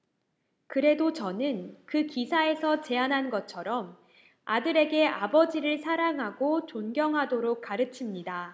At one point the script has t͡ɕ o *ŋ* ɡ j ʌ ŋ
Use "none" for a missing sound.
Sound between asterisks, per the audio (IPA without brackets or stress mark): n